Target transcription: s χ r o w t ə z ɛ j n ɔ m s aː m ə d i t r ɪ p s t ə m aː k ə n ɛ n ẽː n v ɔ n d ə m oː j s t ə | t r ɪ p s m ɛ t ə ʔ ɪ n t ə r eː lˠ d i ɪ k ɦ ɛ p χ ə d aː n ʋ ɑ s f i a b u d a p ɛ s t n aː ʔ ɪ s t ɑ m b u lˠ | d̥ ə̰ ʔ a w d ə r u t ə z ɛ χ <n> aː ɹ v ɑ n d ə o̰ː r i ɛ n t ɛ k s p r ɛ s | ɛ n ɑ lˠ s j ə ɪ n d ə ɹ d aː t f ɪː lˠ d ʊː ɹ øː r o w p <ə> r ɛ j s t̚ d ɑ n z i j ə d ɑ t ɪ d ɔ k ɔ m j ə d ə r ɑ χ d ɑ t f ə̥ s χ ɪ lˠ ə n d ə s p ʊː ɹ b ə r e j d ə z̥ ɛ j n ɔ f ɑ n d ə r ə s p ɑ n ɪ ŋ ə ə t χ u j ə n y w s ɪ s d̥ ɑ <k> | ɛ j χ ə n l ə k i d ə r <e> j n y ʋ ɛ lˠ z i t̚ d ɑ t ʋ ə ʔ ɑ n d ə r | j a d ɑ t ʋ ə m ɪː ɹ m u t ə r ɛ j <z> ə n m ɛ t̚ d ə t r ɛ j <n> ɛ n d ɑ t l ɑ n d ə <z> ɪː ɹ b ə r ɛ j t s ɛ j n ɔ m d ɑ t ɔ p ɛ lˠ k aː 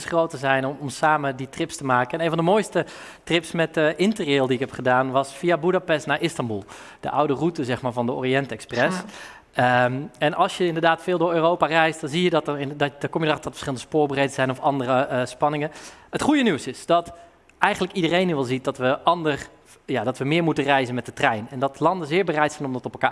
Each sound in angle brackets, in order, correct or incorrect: incorrect: m, incorrect: a, incorrect: t, correct, correct, correct, correct

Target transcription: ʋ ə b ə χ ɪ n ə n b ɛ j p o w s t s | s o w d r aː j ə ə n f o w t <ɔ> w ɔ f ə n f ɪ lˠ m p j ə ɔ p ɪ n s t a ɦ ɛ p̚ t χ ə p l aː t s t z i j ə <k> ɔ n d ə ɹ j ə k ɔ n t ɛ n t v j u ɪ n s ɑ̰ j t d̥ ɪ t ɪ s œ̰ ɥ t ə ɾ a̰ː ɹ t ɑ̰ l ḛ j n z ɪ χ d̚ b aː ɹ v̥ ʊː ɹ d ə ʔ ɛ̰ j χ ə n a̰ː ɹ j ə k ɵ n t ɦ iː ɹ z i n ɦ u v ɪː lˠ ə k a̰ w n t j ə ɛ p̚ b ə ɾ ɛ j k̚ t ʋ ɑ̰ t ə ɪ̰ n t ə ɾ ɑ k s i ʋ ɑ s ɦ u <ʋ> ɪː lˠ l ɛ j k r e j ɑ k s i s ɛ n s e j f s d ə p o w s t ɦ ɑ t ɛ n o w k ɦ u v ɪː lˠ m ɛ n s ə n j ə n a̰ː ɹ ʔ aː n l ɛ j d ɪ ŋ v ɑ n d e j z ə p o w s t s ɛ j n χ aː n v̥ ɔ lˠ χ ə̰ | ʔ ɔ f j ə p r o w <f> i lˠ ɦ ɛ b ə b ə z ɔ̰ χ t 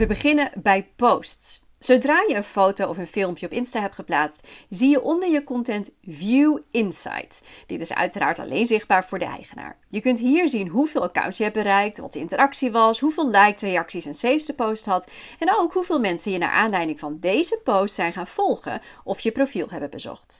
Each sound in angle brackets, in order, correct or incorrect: incorrect: o, incorrect: ʔ, incorrect: v, correct

